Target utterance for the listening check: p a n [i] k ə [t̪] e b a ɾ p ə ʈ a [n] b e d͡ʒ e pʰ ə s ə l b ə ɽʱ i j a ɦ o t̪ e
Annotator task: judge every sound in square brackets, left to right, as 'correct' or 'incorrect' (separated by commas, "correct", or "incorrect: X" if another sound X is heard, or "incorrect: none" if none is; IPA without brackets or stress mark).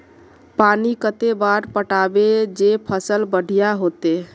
correct, correct, incorrect: none